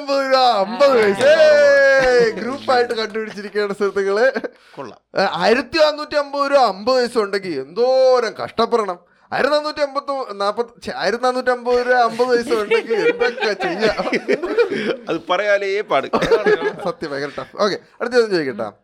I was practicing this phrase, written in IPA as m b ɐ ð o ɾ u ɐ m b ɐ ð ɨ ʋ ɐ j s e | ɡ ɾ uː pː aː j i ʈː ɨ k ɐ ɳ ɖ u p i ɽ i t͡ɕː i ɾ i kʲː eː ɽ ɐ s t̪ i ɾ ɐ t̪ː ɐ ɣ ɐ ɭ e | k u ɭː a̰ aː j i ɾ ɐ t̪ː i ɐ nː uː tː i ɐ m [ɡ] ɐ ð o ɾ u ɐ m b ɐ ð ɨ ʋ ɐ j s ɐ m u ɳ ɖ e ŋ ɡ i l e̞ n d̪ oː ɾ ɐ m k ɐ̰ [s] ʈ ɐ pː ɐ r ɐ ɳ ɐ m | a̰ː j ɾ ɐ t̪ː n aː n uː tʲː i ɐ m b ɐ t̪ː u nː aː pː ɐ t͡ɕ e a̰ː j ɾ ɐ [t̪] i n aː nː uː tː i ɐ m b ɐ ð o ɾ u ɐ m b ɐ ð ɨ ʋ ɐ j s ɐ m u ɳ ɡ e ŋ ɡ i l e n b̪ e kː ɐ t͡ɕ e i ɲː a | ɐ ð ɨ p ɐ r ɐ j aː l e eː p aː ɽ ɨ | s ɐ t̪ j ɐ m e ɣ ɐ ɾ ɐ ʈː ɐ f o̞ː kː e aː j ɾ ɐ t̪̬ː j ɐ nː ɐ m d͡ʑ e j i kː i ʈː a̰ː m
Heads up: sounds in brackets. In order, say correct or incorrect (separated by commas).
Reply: incorrect, incorrect, correct